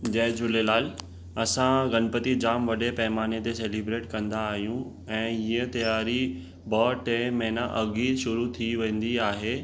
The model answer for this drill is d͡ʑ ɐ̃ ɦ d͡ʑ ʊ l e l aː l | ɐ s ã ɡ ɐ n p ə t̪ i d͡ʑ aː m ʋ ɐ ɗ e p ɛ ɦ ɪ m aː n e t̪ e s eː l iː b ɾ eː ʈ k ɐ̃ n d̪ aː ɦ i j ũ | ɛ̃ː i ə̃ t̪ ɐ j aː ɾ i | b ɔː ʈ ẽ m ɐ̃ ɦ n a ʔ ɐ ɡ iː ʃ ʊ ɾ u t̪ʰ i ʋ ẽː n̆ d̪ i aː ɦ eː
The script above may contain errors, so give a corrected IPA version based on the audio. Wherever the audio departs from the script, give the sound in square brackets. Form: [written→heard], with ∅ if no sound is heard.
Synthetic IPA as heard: d͡ʑ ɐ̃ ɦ d͡ʑ ʊ l e l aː l | ɐ s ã ɡ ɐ n p ə t̪ i d͡ʑ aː m ʋ ɐ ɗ e p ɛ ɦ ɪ m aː n e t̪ e s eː l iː b ɾ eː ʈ k ɐ̃ n d̪ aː ɦ i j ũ | ɛ̃ː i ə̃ t̪ ɐ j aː ɾ i | b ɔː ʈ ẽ m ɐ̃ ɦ n a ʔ ɐ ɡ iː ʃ ʊ ɾ u t̪ʰ i ʋ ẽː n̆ d̪ i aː ɦ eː